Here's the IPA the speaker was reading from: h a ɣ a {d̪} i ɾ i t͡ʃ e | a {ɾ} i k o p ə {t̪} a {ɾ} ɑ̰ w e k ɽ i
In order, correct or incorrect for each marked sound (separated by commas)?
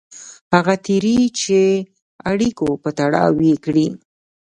incorrect, incorrect, correct, incorrect